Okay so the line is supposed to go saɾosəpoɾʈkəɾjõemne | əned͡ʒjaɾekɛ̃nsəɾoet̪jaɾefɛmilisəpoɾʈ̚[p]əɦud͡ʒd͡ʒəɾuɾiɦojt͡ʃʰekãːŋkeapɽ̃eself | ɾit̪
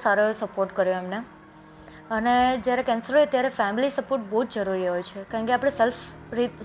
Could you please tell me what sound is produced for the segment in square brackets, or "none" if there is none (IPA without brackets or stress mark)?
b